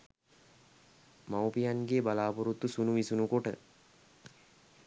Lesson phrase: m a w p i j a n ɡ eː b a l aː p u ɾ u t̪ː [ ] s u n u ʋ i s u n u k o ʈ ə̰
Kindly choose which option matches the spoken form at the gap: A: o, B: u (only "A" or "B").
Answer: B